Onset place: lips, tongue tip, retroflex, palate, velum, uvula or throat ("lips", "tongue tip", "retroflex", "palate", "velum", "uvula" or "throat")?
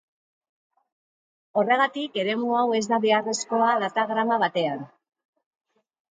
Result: tongue tip